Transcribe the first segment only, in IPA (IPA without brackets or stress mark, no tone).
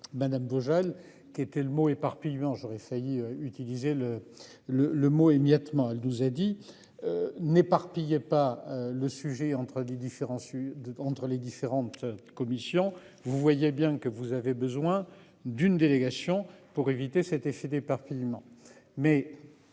m